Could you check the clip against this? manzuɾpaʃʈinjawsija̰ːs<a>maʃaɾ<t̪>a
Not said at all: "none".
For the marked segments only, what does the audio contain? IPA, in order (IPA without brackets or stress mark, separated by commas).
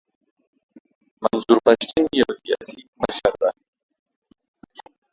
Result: i, d̪